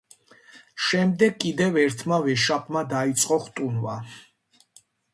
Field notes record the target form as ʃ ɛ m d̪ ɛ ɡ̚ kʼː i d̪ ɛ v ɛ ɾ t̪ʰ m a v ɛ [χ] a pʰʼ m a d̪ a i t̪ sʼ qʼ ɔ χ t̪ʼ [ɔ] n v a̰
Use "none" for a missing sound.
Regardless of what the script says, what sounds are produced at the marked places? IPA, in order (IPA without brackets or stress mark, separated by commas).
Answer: ʃ, u